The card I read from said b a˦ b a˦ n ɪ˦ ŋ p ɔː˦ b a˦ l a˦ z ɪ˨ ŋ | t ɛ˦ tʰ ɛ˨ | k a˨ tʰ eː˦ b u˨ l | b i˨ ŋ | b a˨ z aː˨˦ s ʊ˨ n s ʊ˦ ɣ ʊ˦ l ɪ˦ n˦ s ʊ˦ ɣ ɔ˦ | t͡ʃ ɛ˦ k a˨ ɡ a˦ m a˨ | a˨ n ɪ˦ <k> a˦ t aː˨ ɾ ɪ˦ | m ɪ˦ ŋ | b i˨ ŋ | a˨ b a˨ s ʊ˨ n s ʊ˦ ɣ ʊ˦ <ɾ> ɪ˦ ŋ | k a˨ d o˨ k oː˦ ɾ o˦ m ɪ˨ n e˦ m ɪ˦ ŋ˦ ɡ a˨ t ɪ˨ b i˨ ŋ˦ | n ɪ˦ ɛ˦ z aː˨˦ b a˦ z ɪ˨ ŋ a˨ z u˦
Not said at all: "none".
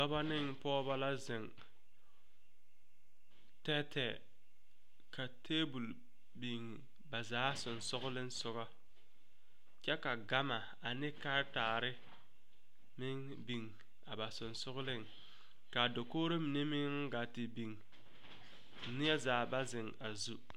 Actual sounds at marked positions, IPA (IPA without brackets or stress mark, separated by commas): k, l